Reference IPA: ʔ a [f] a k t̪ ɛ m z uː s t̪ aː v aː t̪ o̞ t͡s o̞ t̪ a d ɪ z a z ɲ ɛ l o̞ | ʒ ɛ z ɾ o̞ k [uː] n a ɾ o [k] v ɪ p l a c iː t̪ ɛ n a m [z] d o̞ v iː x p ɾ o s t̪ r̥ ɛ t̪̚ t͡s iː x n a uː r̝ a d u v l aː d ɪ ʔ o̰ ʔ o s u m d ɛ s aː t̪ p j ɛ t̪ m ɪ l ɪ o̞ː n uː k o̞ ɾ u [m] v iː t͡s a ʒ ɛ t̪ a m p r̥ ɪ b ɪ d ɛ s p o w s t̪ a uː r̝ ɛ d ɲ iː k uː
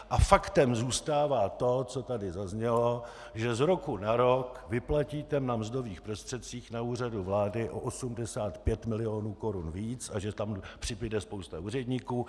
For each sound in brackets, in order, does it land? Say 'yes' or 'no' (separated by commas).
yes, no, yes, yes, no